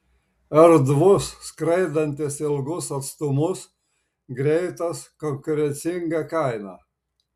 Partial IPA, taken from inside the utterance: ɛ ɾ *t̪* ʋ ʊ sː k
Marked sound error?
yes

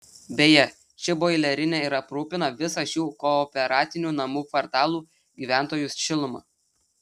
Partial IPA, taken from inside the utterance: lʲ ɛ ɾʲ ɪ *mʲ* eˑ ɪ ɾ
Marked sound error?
yes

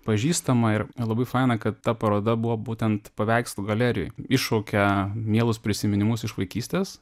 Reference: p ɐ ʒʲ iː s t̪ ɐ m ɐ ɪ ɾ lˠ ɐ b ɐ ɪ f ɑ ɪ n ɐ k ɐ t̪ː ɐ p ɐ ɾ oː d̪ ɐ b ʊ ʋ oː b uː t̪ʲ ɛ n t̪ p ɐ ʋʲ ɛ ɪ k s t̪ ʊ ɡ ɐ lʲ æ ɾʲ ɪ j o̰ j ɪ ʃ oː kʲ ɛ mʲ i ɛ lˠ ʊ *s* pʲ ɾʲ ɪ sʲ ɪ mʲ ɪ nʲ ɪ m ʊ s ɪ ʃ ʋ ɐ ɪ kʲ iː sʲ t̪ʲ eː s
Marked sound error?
no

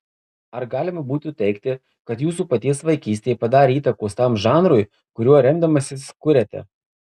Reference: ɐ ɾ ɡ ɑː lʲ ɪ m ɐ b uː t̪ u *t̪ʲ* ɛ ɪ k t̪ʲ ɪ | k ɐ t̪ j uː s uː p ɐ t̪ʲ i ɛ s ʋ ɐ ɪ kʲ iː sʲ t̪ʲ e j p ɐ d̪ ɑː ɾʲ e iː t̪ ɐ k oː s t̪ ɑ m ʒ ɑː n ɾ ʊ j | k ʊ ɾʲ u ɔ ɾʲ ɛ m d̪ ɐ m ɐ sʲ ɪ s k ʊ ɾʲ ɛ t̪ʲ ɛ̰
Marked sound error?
no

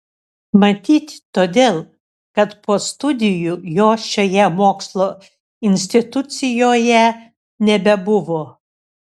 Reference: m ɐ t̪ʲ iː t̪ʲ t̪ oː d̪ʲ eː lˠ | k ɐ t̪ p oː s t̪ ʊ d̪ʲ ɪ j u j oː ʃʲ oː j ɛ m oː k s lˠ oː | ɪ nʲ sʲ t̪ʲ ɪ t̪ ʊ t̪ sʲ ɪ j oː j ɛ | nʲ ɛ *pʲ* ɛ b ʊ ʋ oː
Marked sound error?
yes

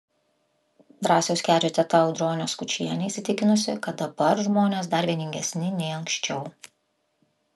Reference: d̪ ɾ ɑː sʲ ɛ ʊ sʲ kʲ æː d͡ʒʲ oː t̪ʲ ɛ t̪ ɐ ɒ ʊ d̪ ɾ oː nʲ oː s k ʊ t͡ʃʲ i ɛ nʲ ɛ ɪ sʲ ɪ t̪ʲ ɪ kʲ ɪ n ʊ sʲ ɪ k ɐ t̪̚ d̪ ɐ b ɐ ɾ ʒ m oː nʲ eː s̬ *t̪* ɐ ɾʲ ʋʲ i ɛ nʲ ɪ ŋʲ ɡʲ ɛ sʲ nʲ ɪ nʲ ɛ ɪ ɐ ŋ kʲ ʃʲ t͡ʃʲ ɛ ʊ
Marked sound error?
yes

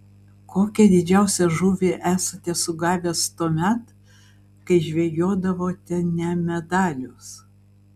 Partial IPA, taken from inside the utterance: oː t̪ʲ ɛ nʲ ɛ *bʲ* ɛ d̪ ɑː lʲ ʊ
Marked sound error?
yes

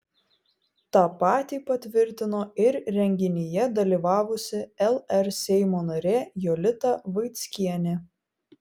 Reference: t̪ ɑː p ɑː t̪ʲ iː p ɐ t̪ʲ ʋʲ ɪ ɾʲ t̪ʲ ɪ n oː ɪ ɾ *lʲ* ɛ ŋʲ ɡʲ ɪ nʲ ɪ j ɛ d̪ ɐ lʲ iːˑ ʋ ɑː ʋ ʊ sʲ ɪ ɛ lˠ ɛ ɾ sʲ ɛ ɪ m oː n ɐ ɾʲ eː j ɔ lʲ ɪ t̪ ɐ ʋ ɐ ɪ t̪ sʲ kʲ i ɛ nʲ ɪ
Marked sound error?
yes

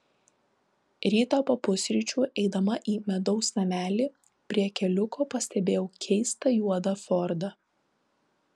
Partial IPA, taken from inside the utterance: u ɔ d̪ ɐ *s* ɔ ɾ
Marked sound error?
yes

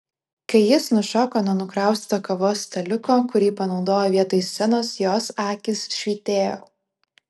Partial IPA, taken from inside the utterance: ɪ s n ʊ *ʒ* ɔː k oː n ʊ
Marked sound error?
yes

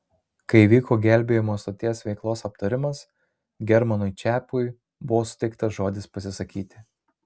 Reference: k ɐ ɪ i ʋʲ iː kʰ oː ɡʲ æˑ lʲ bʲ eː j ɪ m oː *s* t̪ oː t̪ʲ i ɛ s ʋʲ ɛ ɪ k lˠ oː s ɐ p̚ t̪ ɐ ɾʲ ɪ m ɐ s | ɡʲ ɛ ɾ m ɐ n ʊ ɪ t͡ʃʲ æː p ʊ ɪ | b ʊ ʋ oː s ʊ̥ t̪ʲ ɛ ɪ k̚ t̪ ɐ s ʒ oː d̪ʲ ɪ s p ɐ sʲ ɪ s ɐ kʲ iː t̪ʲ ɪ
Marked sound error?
no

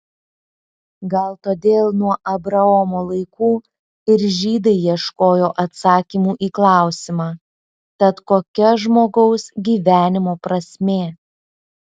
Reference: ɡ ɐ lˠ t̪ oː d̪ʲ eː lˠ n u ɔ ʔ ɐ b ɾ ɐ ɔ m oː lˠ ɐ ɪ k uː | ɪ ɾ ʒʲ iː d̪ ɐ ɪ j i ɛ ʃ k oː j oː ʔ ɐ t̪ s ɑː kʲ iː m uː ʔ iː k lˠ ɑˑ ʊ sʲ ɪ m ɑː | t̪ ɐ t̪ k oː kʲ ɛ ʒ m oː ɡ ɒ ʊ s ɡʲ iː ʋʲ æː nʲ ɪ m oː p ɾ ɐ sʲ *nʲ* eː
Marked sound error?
yes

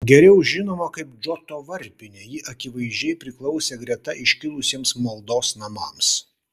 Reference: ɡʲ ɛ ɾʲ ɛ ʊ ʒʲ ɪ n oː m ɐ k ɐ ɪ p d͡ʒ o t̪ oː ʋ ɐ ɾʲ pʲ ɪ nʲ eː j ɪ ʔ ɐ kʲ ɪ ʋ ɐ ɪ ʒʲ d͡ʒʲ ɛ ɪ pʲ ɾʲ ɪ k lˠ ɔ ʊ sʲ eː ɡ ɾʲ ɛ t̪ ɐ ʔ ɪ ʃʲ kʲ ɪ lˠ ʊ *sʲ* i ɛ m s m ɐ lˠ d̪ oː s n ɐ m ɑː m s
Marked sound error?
no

